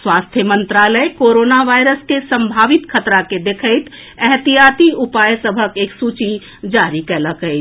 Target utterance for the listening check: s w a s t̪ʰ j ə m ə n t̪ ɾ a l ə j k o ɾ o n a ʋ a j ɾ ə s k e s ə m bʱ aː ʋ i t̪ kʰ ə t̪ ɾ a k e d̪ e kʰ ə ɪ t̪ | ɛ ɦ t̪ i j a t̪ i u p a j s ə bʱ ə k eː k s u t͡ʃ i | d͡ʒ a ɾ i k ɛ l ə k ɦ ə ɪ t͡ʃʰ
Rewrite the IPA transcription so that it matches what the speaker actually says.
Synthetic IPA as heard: s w a s t̪ʰ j ə m ə n t̪ ɾ a l ə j k o ɾ o n a ʋ a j ɾ ə s k e s ə m bʱ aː ʋ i t̪ kʰ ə t̪ ɾ a k e d̪ e kʰ ə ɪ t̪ | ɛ ɦ t̪ i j a t̪ i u p a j s ə bʱ ə k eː k s u t͡ʃ i | d͡ʒ a ɾ i k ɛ l ə k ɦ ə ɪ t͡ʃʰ